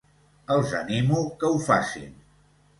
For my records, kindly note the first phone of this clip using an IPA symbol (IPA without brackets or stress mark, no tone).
ə